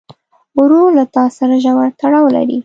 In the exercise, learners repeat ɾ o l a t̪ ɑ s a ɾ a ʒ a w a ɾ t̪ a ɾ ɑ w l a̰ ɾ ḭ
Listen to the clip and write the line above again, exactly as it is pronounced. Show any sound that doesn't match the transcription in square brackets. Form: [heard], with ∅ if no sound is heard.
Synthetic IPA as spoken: ɾ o l a t̪ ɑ s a ɾ a ʒ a w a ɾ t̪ a [ɽ] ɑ w l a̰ ɾ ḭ